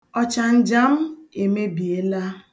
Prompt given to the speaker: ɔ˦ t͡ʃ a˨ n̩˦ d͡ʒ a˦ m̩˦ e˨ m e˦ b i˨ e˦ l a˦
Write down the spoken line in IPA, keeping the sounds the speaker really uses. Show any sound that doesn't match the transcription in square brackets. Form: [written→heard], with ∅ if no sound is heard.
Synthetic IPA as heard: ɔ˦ t͡ʃ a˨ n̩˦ d͡ʒ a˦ m̩˦ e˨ m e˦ b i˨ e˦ l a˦